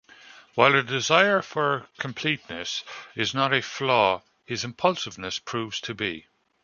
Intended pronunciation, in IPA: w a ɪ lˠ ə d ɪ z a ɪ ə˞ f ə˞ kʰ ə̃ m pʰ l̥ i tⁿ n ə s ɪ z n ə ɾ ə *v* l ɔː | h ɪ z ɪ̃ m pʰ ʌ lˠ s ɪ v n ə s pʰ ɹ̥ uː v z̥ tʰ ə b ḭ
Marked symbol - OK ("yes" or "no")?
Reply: no